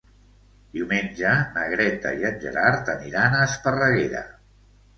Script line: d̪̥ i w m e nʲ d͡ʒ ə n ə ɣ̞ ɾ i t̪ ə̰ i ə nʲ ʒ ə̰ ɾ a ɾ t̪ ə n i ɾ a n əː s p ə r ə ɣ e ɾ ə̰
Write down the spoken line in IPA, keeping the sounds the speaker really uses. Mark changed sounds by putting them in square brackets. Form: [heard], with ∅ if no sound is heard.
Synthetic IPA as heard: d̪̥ i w m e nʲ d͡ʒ ə n ə ɣ̞ ɾ [ɛ] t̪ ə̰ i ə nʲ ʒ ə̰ ɾ a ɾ t̪ ə n i ɾ a n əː s p ə r ə ɣ e ɾ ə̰